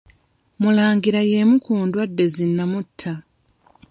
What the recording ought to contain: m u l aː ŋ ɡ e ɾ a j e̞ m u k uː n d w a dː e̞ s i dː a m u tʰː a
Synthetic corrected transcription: m u l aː ŋ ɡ i ɾ a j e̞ m u k uː n d w a dː e̞ z i nː a m u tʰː a